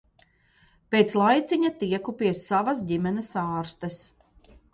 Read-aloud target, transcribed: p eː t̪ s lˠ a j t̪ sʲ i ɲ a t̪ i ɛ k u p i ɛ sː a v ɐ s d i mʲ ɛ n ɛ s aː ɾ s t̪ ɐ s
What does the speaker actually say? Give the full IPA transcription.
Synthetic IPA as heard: p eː t̪ s lˠ a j t̪ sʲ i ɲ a t̪ i ɛ k u p i ɛ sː a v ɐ s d i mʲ ɛ n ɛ s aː ɾ s t̪ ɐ s